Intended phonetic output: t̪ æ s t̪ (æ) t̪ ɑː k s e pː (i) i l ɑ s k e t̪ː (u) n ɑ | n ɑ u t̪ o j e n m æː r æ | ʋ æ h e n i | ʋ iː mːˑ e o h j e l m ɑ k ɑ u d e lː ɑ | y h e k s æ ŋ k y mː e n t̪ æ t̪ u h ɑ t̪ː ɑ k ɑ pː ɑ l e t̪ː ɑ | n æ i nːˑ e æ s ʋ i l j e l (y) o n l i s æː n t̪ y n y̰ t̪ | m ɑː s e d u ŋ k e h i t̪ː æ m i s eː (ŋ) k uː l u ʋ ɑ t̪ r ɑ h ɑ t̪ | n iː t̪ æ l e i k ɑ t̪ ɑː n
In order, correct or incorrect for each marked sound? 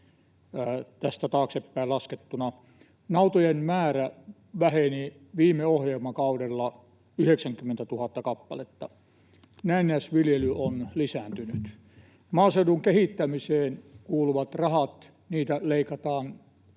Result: correct, incorrect: æ, correct, correct, incorrect: n

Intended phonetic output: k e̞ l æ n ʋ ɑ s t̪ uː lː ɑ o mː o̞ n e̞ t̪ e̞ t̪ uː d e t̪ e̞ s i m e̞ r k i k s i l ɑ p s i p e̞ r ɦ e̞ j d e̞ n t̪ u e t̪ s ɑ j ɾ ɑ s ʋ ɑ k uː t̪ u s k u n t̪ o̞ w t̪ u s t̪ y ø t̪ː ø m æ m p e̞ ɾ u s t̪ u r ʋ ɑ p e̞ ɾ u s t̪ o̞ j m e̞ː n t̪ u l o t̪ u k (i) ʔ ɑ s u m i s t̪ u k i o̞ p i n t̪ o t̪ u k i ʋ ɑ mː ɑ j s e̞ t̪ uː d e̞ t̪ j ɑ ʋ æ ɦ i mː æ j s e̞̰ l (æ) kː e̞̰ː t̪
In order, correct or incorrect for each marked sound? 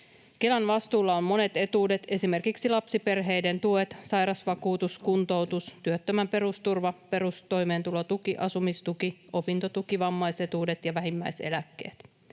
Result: correct, correct

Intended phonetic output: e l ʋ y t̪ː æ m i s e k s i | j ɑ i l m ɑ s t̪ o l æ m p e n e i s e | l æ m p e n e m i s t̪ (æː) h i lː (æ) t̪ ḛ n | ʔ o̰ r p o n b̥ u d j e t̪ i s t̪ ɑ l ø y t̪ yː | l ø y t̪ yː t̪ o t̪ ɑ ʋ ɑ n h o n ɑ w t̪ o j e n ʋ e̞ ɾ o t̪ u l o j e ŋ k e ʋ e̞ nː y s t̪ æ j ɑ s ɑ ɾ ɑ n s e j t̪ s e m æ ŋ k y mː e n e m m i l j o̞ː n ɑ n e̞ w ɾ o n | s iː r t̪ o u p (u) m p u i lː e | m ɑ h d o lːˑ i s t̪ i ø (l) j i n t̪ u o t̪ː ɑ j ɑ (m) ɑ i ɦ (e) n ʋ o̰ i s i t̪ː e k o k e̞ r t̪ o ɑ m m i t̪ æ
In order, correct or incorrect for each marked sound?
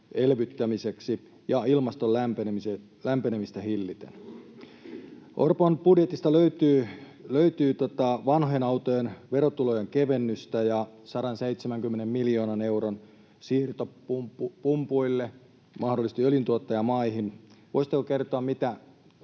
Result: incorrect: æ, incorrect: i, correct, correct, correct, incorrect: i

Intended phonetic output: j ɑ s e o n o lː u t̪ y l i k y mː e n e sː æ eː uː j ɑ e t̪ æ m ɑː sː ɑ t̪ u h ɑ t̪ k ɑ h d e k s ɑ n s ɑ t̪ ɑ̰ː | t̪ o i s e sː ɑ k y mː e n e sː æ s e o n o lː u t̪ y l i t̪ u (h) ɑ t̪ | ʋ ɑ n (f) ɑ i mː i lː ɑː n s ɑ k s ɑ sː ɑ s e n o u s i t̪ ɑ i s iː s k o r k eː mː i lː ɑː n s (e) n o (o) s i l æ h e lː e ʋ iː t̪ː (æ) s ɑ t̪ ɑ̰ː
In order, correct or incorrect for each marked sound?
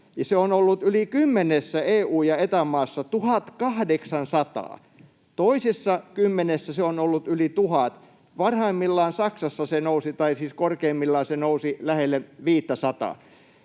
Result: correct, incorrect: h, correct, incorrect: u, correct

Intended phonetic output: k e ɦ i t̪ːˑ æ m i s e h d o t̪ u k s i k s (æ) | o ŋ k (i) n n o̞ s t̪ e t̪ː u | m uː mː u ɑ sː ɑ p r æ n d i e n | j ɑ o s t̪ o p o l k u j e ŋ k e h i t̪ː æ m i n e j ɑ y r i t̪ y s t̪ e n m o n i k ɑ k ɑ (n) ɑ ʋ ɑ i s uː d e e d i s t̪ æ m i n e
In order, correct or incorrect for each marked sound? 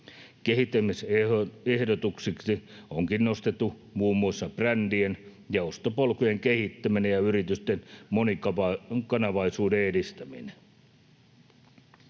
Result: incorrect: i, correct, correct

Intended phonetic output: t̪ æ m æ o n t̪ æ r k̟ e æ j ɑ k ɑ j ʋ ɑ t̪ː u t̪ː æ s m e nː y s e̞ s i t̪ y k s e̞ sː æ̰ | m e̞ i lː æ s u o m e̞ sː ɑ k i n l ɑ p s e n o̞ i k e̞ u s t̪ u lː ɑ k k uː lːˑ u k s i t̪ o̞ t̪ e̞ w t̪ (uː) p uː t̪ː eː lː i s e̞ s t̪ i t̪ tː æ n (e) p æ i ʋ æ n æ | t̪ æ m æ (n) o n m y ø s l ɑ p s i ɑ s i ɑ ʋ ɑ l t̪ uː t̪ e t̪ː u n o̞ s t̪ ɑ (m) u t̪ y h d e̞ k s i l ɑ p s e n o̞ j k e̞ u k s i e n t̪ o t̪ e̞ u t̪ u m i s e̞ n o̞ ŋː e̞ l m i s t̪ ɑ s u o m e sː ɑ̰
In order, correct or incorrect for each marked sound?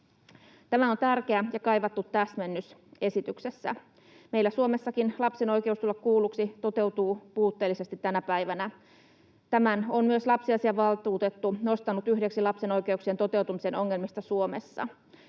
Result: correct, incorrect: æ, correct, incorrect: n

